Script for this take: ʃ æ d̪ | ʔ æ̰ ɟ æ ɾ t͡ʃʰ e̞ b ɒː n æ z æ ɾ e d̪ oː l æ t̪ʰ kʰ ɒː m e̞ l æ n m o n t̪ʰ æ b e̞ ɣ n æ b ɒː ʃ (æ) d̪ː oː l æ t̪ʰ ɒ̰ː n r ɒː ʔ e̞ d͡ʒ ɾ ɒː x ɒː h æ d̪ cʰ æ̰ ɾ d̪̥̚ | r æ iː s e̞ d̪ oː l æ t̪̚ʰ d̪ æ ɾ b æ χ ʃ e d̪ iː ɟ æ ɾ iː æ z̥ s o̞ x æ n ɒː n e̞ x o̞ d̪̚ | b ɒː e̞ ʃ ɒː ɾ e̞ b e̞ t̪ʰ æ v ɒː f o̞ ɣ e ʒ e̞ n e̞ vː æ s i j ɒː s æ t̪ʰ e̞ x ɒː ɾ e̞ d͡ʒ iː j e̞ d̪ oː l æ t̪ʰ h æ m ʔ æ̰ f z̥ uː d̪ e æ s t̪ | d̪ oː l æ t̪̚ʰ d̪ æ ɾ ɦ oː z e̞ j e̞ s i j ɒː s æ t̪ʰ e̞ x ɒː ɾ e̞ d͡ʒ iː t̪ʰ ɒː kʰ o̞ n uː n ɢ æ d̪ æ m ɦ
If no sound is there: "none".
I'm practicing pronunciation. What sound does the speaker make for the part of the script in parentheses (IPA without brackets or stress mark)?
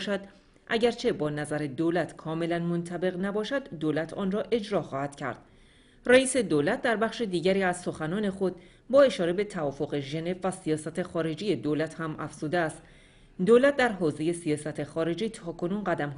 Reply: æ